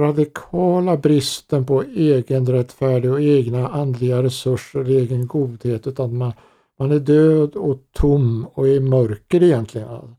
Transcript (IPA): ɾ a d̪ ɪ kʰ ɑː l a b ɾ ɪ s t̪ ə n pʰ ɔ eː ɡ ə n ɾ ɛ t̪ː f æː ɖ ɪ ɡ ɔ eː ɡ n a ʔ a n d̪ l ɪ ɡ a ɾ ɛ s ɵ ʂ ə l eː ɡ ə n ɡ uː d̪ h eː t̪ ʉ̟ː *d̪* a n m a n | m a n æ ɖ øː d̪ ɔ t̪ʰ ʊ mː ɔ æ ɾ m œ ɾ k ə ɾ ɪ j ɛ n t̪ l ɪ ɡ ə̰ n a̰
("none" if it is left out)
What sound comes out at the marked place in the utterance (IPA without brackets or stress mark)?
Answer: t̪